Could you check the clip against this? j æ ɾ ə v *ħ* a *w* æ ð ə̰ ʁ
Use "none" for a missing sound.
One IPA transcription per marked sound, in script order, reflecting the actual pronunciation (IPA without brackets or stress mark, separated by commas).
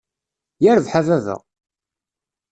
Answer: ħ, v